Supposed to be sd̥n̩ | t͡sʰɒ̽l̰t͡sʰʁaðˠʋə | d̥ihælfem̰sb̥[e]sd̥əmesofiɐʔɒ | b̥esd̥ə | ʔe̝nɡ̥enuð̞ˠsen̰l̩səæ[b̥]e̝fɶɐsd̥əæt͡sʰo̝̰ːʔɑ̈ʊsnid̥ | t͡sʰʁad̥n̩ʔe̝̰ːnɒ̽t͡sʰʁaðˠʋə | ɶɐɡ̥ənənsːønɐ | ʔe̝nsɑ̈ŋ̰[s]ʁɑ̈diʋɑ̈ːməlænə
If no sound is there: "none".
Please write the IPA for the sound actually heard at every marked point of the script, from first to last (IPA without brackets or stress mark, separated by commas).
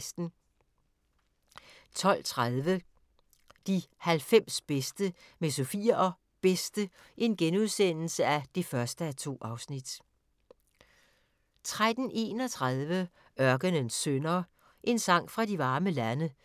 e, d̥, f